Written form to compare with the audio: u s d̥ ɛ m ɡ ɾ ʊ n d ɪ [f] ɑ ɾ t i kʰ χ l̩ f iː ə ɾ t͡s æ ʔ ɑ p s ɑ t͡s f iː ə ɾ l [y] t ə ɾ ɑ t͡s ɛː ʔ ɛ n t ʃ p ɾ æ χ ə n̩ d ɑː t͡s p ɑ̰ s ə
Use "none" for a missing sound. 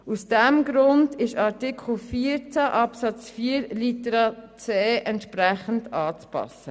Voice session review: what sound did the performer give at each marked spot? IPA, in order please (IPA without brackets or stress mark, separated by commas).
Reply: ʃ, i